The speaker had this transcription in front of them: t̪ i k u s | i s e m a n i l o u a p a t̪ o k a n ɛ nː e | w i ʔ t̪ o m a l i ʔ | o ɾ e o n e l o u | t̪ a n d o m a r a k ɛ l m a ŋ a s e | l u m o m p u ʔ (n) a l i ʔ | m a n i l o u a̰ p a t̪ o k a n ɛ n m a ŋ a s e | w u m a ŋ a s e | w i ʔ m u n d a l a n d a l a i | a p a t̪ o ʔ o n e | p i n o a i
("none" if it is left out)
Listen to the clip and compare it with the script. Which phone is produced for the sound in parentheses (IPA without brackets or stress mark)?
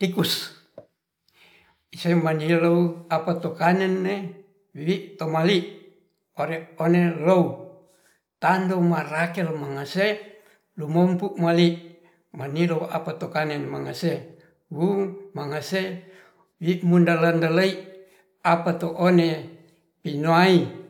m